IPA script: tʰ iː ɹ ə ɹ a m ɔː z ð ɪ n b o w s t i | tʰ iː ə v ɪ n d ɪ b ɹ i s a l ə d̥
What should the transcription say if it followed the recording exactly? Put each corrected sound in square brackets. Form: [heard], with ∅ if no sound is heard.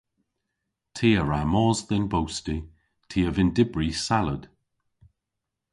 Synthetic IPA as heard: tʰ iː [∅] ə ɹ a m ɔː z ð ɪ n b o w s t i | tʰ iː ə v ɪ n d ɪ b ɹ i s a l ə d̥